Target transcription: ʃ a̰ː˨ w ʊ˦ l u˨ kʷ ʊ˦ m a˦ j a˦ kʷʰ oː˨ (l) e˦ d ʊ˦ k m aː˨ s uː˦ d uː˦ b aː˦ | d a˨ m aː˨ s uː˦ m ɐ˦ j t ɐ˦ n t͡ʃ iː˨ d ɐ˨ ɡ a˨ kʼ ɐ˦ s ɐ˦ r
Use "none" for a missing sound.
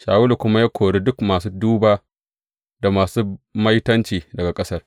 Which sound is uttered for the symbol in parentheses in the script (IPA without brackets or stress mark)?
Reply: ɽ